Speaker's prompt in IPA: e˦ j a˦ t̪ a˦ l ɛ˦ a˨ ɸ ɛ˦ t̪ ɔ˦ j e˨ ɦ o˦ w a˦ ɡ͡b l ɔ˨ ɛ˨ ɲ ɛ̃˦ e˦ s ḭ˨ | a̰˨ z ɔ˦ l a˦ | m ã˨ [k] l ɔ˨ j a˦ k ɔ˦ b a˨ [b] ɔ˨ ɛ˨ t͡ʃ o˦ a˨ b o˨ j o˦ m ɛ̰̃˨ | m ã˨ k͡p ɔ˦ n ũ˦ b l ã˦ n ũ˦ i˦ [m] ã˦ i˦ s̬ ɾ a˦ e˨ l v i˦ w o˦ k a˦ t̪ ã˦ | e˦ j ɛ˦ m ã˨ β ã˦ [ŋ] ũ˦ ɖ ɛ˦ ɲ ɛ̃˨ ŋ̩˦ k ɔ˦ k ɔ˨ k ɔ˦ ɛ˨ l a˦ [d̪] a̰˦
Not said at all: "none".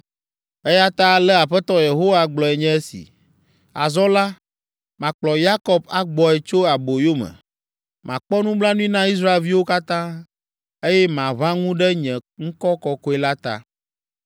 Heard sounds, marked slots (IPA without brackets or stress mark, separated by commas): k͡p, ɡ͡b, n, ŋ, t̪